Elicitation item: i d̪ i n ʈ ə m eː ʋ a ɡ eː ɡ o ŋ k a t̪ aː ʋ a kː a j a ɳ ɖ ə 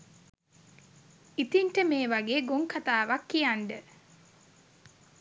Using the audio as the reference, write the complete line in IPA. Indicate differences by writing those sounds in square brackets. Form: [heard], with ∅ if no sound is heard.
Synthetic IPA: i [t̪] i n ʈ ə m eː ʋ a ɡ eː ɡ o ŋ k a t̪ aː ʋ a kː [i] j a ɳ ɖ ə